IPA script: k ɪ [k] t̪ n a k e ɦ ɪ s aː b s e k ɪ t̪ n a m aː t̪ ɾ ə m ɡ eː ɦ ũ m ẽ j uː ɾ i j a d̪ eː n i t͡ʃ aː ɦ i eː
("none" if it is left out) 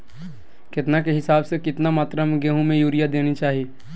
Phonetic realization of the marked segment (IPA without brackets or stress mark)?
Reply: none